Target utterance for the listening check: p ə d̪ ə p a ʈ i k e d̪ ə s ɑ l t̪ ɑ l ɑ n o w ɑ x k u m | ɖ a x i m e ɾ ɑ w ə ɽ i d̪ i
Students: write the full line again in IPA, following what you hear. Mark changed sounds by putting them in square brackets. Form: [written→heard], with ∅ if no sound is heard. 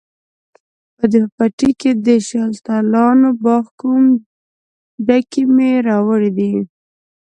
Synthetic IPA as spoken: p ə d̪ ə p a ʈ i k e d̪ ə [s→ʃ] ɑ l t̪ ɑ l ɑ n o [w→b] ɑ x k u m | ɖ a [x→k] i m e ɾ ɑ w ə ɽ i d̪ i